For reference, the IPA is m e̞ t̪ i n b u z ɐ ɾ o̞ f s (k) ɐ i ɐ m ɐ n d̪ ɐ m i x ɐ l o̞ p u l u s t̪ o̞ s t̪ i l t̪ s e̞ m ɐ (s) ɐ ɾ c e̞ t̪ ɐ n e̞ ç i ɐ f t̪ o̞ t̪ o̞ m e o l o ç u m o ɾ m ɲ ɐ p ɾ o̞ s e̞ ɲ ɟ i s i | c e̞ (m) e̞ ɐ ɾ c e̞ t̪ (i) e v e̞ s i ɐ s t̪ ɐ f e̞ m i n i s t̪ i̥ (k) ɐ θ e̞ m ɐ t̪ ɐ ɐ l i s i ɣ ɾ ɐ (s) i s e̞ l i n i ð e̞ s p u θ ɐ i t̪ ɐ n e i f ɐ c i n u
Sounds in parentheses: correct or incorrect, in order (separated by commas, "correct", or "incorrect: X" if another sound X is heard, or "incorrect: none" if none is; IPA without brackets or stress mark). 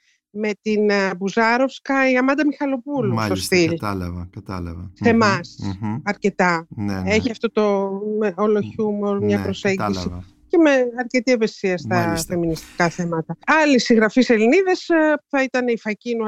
correct, correct, correct, correct, correct, incorrect: f